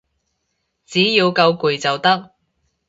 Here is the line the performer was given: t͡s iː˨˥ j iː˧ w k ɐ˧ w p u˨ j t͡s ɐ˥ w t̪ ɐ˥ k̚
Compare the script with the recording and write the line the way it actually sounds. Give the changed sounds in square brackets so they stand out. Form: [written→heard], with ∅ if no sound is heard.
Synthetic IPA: t͡s iː˨˥ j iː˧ w k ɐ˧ w [p→k] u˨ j t͡s [ɐ˥→ɐ˨˩] w t̪ ɐ˥ k̚